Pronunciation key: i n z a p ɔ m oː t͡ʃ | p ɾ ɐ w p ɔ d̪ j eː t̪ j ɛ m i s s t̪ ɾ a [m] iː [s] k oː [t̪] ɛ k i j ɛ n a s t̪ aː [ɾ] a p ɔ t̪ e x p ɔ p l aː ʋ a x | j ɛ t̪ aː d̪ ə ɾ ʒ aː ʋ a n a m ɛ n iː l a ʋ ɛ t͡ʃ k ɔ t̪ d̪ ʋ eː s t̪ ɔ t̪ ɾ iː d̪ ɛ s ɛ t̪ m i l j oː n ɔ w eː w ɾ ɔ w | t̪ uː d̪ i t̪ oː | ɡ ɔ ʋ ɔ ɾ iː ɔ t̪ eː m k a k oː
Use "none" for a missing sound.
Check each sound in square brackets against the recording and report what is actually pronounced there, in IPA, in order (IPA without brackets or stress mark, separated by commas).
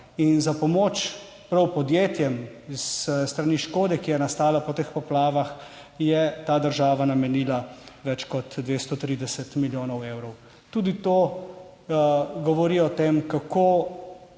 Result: n, ʃ, d̪, l